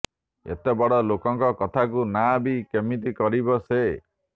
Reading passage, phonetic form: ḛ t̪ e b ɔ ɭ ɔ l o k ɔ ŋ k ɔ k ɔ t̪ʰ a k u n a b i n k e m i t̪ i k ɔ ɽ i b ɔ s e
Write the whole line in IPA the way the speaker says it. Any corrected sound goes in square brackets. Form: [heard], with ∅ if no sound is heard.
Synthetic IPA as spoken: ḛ t̪ e b ɔ [ɽ] ɔ l o k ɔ ŋ k ɔ k ɔ t̪ʰ a k u n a b i [∅] k e m i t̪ i k ɔ [ɾ] i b ɔ s e